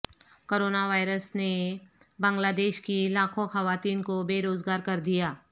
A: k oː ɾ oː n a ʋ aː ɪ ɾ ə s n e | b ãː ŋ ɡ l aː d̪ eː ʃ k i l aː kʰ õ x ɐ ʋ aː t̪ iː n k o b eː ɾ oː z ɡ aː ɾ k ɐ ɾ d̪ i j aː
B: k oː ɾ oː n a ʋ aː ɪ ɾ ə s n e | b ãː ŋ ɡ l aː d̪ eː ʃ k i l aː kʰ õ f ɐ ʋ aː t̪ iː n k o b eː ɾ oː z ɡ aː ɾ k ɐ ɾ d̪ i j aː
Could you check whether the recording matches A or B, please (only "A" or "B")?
A